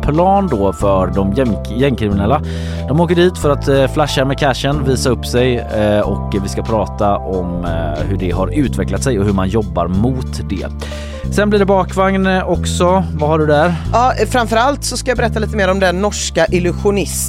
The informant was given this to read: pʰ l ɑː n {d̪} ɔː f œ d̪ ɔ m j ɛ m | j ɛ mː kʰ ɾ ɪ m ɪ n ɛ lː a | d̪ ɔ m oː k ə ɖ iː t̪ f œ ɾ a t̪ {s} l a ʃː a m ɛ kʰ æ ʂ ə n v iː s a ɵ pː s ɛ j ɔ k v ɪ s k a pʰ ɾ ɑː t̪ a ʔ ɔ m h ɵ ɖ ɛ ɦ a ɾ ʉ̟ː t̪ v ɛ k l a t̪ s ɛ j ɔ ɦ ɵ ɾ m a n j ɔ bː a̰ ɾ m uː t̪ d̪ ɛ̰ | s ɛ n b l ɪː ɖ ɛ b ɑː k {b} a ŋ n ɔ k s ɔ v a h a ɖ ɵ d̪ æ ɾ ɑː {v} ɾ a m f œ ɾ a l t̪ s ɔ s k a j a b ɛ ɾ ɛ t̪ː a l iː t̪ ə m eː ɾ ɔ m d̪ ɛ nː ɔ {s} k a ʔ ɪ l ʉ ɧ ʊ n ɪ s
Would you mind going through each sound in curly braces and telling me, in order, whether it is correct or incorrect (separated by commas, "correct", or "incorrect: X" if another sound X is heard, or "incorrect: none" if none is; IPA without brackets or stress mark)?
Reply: correct, incorrect: f, incorrect: v, incorrect: f, incorrect: ʂ